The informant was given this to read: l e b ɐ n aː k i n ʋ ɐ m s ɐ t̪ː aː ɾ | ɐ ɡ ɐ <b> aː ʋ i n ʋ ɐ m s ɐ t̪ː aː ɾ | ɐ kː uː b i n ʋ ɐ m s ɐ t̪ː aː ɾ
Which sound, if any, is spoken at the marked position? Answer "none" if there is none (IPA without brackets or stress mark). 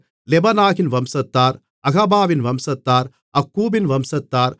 b